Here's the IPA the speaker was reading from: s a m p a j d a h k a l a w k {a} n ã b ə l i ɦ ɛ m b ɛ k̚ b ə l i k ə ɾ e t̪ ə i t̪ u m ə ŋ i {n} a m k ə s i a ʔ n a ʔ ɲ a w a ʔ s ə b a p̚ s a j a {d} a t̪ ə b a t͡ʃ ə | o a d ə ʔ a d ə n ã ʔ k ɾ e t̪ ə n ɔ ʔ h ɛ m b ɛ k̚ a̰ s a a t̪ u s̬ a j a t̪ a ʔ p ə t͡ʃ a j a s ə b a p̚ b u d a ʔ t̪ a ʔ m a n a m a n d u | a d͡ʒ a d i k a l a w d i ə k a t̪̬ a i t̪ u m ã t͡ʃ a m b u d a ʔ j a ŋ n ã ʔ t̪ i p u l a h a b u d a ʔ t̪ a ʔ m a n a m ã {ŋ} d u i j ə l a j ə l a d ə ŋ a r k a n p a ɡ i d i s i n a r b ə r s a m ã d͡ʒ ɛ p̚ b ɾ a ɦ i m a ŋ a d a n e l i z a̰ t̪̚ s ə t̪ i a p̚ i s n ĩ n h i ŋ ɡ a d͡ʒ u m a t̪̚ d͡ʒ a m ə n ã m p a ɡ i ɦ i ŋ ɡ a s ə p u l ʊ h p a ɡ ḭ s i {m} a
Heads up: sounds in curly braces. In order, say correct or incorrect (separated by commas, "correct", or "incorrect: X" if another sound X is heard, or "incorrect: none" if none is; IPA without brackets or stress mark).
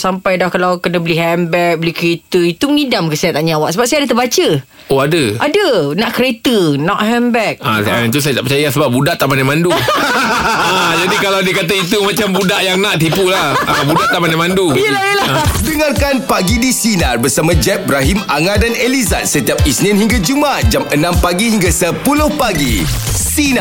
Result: incorrect: ə, incorrect: d, correct, incorrect: n, incorrect: n